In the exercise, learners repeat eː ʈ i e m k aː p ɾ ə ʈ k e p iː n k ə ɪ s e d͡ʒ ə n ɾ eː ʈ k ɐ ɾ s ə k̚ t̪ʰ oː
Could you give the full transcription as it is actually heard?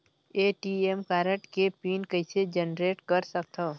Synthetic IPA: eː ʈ i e m k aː ɾ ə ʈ k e p iː n k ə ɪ s e d͡ʒ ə n ɾ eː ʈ k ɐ ɾ s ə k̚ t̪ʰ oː